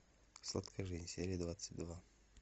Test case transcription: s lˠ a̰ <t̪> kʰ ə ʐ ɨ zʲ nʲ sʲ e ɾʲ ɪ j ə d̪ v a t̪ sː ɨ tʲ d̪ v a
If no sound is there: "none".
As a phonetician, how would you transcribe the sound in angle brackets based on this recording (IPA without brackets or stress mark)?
t̪